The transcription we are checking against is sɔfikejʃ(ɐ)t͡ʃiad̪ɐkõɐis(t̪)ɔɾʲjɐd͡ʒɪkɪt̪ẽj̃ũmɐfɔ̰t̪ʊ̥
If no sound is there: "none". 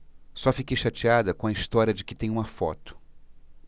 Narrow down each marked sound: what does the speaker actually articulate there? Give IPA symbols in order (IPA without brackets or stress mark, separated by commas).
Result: a, t̪